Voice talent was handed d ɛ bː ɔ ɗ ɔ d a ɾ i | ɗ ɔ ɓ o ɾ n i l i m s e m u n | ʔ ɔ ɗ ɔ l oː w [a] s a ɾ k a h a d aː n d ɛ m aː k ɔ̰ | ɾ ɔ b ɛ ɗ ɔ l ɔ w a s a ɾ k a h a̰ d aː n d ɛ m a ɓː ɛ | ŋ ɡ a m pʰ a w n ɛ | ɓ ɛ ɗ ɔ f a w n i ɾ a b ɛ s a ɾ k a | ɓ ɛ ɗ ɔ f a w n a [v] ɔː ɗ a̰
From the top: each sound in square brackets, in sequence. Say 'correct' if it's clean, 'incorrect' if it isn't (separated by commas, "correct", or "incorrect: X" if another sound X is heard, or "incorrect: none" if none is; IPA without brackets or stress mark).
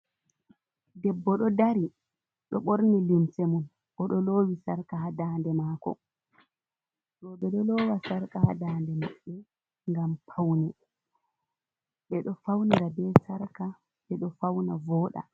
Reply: incorrect: i, correct